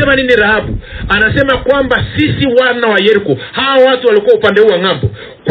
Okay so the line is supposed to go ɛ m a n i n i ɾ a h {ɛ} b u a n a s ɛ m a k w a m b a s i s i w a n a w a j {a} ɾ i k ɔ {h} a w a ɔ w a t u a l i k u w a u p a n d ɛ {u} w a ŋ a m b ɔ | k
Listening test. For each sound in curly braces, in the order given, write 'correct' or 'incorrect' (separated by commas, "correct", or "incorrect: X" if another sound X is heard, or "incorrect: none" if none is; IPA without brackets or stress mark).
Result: incorrect: a, incorrect: ɛ, correct, correct